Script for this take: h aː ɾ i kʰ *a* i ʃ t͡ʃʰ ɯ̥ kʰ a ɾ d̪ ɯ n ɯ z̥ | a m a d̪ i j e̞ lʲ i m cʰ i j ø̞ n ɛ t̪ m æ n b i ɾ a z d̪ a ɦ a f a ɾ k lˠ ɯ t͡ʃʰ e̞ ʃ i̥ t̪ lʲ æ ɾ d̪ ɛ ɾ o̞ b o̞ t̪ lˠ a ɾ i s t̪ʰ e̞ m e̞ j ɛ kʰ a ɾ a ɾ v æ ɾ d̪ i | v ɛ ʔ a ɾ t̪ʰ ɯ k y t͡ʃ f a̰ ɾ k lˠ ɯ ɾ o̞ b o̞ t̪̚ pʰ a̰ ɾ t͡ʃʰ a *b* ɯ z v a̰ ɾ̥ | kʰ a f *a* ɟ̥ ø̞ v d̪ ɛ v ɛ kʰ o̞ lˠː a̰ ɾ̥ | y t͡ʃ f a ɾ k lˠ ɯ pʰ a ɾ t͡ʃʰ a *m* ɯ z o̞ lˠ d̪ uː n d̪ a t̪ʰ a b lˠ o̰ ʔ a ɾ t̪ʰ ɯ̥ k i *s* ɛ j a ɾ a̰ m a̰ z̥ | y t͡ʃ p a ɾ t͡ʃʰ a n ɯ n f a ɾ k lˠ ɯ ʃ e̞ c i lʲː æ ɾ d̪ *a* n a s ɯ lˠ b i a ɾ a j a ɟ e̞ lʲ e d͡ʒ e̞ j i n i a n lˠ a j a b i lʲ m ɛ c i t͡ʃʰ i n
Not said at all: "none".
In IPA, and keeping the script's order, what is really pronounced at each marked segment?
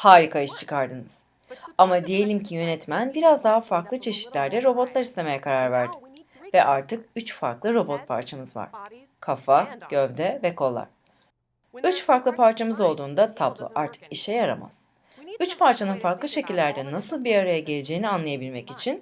a, m, a, m, ʃ, ɛ

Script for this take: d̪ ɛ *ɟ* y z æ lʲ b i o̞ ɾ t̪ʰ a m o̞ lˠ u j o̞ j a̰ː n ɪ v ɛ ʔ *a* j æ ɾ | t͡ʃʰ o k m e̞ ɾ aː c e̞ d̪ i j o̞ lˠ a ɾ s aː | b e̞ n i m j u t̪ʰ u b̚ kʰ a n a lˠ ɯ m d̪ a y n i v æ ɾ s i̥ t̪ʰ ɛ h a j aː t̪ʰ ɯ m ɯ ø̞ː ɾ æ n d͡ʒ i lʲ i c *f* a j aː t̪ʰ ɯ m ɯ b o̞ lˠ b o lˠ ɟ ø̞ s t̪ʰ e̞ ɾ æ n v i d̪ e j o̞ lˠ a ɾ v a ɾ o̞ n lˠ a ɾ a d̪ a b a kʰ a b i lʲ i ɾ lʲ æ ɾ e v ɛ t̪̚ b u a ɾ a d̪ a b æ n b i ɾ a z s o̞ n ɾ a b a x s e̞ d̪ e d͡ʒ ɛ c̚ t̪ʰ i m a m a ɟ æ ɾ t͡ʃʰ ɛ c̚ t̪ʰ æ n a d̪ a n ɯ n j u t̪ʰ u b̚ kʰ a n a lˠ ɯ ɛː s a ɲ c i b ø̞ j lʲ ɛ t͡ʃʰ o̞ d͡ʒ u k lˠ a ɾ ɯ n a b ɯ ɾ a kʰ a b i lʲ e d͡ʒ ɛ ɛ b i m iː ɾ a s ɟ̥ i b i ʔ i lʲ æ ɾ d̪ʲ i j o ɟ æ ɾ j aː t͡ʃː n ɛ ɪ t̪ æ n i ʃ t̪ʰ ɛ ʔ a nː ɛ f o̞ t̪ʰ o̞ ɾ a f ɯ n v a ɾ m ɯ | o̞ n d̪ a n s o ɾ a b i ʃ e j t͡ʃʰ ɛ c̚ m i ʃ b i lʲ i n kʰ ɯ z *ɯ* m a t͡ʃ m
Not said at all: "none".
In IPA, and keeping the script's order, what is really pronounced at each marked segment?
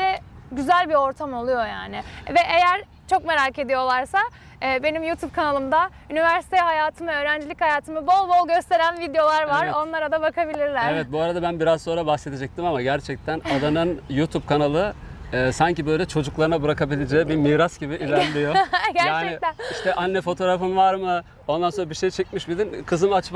ɟ, e, h, ɯ

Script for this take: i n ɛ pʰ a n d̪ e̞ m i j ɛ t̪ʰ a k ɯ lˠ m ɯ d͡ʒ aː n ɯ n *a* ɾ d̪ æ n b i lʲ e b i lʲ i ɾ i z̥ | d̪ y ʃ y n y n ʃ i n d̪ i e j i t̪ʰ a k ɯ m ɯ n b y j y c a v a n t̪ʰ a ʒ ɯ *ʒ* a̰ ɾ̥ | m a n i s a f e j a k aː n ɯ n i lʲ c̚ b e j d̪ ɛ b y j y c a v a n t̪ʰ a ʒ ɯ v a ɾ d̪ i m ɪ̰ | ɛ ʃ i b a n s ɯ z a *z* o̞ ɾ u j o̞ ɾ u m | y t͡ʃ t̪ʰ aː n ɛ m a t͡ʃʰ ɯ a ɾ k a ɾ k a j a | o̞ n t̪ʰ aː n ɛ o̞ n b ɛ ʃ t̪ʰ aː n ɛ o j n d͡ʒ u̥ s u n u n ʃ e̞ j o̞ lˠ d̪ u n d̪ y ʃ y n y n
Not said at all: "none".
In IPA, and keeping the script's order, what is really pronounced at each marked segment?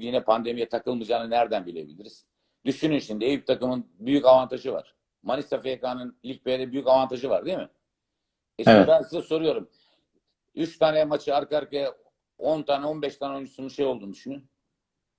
æ, v, s

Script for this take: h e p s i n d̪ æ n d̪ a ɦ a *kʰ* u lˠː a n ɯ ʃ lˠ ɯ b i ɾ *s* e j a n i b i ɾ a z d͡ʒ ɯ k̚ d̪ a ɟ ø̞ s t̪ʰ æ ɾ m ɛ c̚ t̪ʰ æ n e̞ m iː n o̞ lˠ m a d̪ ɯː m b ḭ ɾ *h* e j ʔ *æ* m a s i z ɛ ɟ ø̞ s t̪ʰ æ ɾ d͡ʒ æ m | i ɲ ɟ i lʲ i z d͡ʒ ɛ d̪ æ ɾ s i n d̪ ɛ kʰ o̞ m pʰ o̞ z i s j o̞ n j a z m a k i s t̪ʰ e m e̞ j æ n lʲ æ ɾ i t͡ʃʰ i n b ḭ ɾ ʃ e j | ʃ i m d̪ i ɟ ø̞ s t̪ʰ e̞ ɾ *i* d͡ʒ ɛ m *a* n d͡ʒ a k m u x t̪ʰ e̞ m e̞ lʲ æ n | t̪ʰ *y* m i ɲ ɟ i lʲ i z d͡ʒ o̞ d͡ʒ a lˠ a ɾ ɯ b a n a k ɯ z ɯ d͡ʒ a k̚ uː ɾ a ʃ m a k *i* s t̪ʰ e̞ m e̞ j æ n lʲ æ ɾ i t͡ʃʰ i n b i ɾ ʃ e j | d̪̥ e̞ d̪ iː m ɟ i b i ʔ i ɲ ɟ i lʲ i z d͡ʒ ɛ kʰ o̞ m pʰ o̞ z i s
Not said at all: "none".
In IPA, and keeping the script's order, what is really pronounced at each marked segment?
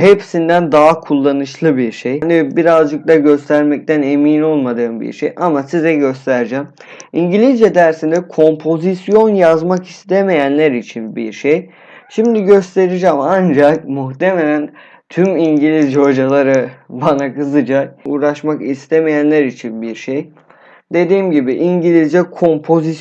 kʰ, ʃ, ʃ, a, i, a, y, i

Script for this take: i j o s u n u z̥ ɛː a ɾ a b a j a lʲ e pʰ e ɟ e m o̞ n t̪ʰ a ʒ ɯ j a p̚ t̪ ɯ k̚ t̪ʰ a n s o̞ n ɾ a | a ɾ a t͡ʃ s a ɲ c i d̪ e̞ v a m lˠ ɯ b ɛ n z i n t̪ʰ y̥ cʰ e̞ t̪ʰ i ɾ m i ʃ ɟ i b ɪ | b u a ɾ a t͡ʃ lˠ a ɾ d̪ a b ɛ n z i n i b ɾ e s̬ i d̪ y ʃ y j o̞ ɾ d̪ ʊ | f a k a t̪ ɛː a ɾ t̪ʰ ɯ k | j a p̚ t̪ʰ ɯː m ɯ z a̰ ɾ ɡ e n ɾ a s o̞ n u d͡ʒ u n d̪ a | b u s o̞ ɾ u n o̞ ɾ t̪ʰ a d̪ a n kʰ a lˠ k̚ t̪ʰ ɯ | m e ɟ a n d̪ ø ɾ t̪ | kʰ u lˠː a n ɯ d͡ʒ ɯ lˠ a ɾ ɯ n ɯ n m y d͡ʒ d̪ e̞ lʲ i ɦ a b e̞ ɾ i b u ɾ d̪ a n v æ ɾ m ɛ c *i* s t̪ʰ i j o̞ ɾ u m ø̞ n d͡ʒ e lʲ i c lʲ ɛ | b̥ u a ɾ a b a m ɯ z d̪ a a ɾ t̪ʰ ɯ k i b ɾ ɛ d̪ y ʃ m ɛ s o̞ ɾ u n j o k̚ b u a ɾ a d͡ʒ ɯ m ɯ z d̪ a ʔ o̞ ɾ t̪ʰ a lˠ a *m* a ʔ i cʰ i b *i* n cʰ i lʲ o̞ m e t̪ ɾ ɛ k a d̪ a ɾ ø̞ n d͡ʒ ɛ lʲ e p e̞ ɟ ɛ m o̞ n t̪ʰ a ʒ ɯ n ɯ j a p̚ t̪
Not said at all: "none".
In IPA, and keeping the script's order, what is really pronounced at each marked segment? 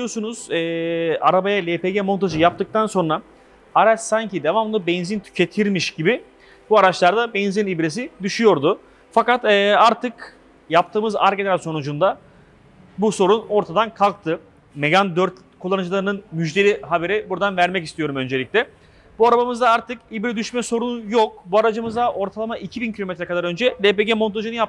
i, m, i

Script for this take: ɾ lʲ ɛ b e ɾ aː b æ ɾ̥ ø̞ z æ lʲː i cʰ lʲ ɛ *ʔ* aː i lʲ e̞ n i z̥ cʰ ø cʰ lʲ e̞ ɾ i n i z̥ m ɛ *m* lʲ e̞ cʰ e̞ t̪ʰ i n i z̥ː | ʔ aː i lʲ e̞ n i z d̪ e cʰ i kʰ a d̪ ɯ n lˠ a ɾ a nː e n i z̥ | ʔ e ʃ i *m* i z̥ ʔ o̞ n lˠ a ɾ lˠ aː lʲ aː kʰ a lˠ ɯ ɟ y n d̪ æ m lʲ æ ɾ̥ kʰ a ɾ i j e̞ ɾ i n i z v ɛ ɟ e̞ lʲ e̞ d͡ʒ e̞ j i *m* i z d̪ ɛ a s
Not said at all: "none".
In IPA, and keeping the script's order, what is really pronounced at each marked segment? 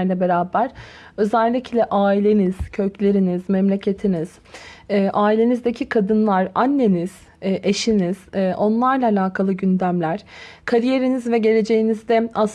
ʔ, m, n, n

